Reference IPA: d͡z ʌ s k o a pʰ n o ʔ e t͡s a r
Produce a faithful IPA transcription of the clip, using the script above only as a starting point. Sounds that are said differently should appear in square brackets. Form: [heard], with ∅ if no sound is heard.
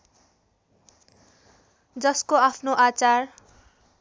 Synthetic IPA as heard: d͡z ʌ s k o a pʰ n o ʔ [a] t͡s a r

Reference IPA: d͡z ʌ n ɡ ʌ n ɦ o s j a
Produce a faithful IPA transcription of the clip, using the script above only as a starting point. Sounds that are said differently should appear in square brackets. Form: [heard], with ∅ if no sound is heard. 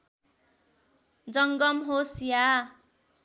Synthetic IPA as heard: d͡z ʌ [ŋ] ɡ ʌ [m] ɦ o s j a

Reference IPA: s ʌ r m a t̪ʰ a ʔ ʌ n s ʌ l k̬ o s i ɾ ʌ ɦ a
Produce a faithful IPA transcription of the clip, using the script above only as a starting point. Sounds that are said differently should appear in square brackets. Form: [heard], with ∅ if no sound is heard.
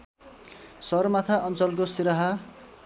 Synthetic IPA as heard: s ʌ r m a t̪ʰ a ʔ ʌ n [t͡s] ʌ l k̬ o s i ɾ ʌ ɦ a

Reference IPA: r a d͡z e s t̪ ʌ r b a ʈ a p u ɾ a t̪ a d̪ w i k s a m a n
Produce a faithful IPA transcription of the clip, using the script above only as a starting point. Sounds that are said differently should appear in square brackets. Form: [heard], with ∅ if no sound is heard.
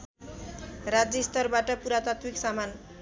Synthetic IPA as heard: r a d͡z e s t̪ ʌ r b a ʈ [ʌ] p u ɾ a t̪ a [t̪] w i k s a m a n

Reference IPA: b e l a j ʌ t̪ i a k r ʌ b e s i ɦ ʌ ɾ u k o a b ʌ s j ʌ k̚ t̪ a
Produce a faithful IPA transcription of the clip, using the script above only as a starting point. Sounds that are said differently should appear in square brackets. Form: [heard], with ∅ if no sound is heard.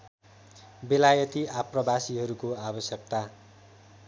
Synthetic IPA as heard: b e l a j ʌ t̪ i a [p] r ʌ b [a] s i ɦ ʌ ɾ u k o a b ʌ s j ʌ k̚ t̪ a

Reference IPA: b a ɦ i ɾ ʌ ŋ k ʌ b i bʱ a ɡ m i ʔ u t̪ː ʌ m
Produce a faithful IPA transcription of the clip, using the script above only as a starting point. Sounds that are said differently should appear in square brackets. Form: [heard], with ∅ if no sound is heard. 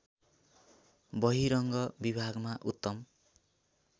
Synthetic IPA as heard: b [ʌ] ɦ i ɾ ʌ ŋ [ɡ] ʌ b i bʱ a ɡ m [a] ʔ u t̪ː ʌ m

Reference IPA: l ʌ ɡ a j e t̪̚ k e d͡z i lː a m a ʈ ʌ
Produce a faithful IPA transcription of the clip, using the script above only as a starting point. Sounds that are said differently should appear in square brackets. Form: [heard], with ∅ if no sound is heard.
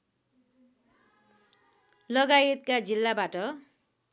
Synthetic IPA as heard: l ʌ ɡ a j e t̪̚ k [a] d͡z i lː a [b] a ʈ ʌ

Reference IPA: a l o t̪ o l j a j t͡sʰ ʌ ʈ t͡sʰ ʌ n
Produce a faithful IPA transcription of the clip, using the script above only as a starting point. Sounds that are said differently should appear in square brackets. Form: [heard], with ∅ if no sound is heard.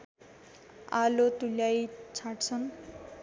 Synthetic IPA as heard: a l o t̪ [u] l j a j t͡sʰ [a] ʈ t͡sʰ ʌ n

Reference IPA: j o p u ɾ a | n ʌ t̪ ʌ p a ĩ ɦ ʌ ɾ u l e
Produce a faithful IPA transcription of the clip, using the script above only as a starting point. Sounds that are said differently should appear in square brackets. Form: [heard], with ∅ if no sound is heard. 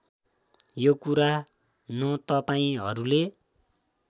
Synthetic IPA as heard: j o [k] u ɾ a | n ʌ t̪ ʌ p a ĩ ɦ ʌ ɾ u l e

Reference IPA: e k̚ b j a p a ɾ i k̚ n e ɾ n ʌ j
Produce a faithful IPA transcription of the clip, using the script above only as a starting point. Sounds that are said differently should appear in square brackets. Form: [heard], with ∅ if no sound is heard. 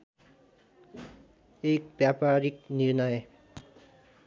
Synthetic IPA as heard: e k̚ b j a p a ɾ i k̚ n [i] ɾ n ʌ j

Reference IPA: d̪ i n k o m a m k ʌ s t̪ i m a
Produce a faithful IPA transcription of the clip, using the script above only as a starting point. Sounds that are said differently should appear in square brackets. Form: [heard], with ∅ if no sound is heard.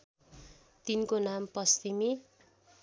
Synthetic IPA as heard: [t̪] i n k o [n] a m [p] ʌ s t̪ i m [i]

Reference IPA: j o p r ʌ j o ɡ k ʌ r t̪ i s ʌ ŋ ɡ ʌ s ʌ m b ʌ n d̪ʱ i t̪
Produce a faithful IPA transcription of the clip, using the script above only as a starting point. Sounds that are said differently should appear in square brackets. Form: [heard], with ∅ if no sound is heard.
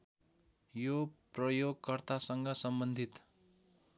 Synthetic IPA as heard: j o p r ʌ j o ɡ k ʌ r t̪ [a] s ʌ ŋ ɡ ʌ s ʌ m b ʌ n d̪ʱ i t̪

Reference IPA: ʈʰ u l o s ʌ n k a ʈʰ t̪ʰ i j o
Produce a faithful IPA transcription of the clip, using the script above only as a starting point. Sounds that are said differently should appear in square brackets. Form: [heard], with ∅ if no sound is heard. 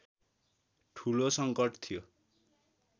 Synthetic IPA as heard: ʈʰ u l o s ʌ [ŋ] k [ʌ] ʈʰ t̪ʰ i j o

